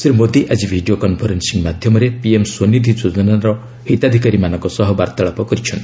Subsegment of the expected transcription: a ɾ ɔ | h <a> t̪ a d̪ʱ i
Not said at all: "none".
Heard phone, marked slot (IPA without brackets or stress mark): i